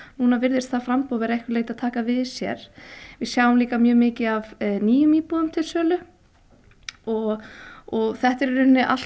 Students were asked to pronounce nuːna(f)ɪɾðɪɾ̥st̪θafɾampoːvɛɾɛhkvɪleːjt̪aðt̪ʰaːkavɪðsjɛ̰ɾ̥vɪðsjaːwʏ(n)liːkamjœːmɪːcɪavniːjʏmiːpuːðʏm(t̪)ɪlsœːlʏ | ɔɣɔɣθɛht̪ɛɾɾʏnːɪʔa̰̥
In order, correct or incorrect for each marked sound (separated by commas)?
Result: incorrect, incorrect, incorrect